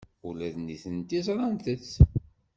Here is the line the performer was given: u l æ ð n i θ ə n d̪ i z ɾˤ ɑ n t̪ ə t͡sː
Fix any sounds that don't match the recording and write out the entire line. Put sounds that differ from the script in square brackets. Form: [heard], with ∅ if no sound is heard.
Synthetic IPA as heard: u l æ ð n i θ ə n [t̪] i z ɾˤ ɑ n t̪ ə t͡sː